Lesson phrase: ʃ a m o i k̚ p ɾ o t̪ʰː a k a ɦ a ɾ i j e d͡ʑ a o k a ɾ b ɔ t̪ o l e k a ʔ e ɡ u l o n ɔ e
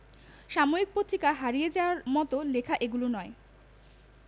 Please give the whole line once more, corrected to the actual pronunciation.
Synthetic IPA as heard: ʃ a m o i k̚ p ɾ o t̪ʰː i k a ɦ a ɾ i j e d͡ʑ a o a ɾ m ɔ t̪ o l e kʰ a ʔ e ɡ u l o n ɔ e